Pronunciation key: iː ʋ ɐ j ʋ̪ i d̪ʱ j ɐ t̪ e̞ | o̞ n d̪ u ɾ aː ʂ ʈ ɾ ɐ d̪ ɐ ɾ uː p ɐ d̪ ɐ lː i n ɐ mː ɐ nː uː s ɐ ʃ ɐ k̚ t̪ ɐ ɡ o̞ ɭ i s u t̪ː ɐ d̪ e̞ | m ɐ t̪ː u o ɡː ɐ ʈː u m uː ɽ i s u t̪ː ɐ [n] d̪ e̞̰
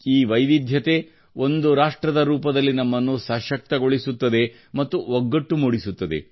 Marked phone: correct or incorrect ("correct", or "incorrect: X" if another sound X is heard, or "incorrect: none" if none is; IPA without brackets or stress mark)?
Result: incorrect: none